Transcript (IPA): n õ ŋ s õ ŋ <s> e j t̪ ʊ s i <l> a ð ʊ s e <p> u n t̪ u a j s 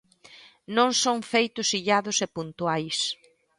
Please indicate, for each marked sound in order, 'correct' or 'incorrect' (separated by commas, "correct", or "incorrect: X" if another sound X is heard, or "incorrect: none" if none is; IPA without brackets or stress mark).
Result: incorrect: f, incorrect: ʎ, correct